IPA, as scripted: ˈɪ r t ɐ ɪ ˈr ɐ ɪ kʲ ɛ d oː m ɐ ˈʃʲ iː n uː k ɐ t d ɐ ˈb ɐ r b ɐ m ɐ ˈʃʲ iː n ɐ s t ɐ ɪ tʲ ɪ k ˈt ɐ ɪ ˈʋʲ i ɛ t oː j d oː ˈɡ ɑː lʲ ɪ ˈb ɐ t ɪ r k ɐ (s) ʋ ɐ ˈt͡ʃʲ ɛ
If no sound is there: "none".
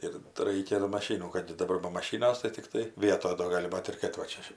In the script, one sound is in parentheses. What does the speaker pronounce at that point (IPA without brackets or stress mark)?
t